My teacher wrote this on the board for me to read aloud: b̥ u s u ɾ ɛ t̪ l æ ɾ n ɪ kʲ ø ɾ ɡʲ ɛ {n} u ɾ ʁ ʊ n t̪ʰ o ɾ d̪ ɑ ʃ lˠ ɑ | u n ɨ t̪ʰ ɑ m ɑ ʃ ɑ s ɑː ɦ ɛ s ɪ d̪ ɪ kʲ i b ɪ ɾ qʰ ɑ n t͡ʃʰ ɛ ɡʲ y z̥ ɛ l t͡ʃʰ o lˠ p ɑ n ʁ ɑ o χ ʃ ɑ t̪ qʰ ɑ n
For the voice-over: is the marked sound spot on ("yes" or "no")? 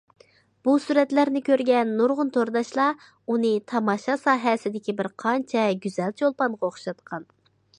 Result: no